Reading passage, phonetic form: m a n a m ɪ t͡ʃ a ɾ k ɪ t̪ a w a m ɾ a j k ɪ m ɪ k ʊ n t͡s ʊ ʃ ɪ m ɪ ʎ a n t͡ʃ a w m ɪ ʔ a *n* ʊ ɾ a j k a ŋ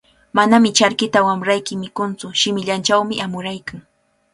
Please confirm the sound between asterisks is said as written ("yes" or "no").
no